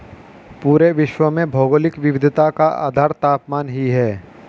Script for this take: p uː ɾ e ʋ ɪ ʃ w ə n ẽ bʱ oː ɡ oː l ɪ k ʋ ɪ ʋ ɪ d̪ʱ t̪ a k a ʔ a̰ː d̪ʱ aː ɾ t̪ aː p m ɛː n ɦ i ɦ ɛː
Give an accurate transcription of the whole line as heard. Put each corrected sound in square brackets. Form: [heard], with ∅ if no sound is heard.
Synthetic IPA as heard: p uː ɾ e ʋ ɪ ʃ w ə [m] ẽ bʱ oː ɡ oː l ɪ k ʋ ɪ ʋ ɪ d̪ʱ t̪ a k a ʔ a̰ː d̪ʱ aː ɾ t̪ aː p m [aː] n ɦ i ɦ ɛː